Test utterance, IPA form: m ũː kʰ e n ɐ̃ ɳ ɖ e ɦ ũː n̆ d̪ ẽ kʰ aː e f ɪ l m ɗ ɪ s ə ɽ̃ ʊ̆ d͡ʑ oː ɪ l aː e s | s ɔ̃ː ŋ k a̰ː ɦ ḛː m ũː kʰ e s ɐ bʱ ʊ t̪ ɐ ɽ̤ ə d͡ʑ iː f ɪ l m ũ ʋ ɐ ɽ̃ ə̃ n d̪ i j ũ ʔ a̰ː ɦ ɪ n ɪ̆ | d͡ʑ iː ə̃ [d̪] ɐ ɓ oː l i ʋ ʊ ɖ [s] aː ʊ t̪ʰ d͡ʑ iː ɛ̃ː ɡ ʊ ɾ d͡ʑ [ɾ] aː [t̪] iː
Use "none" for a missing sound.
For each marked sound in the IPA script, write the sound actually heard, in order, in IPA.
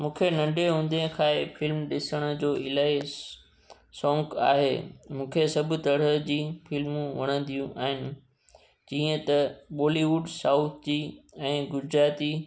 t̪, s, ɾ, t̪

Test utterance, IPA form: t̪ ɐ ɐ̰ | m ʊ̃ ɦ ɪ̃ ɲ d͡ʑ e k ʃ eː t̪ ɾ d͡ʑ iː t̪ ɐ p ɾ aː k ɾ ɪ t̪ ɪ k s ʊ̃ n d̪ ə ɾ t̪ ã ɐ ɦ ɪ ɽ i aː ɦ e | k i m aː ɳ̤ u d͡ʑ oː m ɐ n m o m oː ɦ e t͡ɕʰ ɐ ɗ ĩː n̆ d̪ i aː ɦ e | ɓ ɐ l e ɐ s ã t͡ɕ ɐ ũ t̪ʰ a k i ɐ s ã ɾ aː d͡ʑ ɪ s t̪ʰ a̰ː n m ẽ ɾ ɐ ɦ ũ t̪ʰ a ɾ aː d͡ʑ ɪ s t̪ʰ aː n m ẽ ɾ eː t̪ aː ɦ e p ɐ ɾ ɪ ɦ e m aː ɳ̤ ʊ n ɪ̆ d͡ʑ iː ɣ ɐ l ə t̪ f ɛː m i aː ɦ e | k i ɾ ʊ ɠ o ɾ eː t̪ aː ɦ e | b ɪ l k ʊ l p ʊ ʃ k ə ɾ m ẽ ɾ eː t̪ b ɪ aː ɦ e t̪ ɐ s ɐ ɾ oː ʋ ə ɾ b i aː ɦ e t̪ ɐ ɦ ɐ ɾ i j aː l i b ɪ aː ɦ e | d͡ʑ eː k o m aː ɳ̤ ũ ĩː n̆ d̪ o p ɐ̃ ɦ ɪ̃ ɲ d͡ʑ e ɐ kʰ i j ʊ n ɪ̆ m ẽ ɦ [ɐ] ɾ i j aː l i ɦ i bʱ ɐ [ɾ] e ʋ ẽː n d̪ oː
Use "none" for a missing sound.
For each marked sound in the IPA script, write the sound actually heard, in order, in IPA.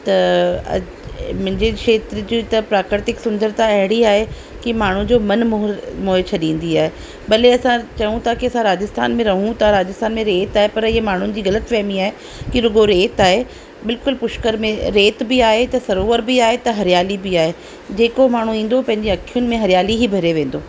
ɐ, ɾ

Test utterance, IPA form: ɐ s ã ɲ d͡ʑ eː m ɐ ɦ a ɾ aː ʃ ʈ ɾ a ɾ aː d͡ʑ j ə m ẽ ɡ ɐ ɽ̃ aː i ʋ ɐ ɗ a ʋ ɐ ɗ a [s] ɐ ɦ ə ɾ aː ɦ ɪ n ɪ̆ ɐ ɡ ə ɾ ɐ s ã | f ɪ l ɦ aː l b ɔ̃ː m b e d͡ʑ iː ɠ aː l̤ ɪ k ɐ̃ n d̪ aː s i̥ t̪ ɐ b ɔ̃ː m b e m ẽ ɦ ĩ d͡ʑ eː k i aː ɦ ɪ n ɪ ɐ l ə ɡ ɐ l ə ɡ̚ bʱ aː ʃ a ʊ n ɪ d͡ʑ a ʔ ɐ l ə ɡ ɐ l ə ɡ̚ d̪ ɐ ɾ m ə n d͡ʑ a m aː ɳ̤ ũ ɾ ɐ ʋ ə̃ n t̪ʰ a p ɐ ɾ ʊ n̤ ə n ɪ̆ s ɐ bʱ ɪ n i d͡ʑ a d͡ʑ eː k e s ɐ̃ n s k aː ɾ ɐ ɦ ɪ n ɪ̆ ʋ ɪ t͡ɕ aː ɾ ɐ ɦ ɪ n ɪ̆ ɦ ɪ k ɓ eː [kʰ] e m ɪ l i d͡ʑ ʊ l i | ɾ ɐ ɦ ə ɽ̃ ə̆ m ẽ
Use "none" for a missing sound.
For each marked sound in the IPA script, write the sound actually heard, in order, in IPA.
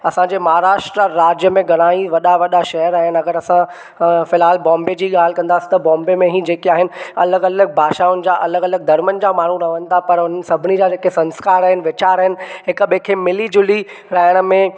ʃ, kʰ

